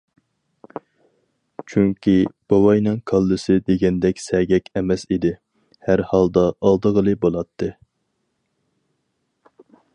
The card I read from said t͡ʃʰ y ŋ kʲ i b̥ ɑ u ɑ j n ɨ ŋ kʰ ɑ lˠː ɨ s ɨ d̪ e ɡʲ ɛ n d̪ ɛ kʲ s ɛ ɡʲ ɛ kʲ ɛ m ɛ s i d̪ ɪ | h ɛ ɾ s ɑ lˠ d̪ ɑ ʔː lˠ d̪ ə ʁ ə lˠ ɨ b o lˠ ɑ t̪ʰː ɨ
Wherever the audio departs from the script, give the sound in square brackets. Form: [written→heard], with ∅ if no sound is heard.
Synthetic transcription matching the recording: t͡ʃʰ y ŋ kʲ i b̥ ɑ [u→w] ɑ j n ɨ ŋ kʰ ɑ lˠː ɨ s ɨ d̪ e ɡʲ ɛ n d̪ ɛ kʲ s ɛ ɡʲ ɛ kʲ ɛ m ɛ s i d̪ ɪ | h [ɛ→æ] ɾ [s→h] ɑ lˠ d̪ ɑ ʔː lˠ d̪ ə ʁ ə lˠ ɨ b o lˠ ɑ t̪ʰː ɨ